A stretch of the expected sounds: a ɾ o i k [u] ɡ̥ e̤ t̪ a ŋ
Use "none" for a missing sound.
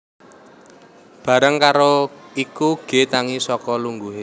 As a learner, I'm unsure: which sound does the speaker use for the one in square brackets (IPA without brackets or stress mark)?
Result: u